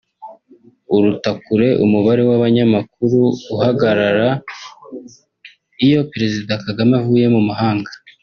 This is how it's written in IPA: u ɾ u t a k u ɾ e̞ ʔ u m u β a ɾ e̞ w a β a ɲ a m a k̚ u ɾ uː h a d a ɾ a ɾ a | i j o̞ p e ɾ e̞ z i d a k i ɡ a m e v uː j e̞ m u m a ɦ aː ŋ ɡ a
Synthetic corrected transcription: u ɾ u t a k u ɾ e̞ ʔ u m u β a ɾ e̞ w a β a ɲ a m a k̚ u ɾ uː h a ɡ a ɾ a ɾ a | i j o̞ p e ɾ e̞ z i d a k a ɡ a m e v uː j e̞ m u m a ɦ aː ŋ ɡ a